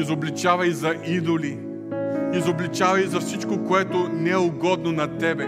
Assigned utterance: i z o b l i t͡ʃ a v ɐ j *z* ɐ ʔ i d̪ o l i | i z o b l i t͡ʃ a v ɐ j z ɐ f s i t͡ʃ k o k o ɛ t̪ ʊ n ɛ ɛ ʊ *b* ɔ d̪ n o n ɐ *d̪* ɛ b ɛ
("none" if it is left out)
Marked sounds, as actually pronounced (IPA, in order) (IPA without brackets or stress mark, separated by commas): z, ɡ, t̪